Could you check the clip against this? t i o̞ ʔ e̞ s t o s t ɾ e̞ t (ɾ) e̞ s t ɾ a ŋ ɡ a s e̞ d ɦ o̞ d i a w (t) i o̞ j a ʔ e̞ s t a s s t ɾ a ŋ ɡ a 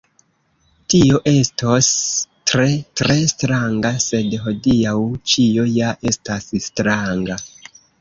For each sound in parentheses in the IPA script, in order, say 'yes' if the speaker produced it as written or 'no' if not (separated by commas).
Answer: yes, no